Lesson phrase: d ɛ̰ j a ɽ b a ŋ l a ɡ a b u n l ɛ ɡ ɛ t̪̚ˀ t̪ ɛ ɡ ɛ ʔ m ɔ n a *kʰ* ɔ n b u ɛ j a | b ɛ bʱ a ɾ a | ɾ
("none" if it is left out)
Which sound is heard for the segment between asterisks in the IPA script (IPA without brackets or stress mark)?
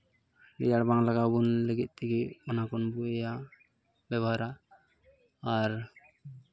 k